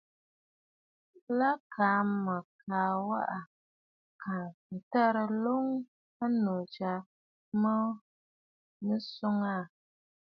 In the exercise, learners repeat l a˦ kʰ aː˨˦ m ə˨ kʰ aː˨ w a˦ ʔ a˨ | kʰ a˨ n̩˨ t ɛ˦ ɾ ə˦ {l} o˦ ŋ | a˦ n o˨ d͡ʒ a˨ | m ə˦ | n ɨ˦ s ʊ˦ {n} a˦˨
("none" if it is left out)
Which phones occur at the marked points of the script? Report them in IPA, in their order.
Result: l, ŋ

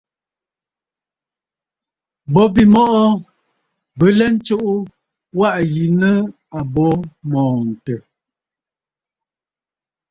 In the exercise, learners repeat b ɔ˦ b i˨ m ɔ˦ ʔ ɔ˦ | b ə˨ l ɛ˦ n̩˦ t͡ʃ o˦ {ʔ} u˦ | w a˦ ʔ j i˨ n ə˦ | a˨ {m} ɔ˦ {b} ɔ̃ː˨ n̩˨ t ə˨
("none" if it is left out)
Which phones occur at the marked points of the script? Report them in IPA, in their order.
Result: ʔ, b, m

